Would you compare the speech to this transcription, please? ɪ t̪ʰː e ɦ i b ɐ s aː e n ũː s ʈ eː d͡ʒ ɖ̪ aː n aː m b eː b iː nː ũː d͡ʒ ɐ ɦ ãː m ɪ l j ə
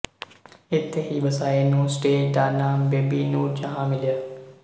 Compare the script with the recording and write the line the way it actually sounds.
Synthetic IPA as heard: ɪ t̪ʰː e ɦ i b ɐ s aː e n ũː s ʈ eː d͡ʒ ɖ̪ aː n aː m b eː b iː n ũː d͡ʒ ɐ ɦ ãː m ɪ l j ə